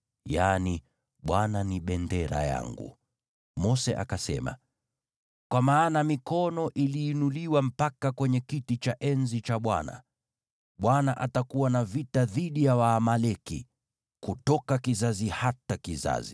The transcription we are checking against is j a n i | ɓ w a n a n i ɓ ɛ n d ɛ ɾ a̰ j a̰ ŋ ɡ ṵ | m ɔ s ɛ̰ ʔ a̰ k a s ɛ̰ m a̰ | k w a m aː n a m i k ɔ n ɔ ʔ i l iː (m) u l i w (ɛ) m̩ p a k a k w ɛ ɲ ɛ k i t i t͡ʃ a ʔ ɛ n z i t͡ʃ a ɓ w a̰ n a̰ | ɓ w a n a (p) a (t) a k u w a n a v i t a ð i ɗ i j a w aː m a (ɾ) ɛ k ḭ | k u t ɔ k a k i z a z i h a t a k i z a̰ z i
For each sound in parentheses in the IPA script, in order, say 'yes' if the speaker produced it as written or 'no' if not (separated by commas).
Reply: no, no, no, yes, no